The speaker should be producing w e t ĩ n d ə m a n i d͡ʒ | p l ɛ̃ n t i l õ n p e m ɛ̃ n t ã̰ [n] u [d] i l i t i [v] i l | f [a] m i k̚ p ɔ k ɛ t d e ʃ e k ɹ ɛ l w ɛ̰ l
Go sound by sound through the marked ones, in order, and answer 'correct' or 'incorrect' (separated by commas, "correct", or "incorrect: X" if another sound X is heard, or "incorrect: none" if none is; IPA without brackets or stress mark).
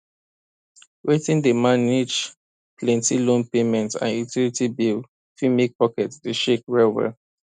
correct, incorrect: t, incorrect: b, incorrect: i